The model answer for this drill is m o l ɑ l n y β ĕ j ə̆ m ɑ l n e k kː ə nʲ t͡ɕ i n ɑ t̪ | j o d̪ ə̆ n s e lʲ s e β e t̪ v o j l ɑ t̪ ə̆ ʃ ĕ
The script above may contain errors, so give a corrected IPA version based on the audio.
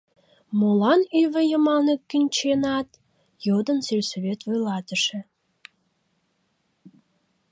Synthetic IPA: m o l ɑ n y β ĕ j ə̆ m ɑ l n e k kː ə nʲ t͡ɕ e n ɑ t̪ | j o d̪ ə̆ n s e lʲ s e β e t̪ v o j l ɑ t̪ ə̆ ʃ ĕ